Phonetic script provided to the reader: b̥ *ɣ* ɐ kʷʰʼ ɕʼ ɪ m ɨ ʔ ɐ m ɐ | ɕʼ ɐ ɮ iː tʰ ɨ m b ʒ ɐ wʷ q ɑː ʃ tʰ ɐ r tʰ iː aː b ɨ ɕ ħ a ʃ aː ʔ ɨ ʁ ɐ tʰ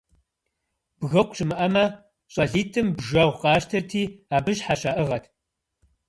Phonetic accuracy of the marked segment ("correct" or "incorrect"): correct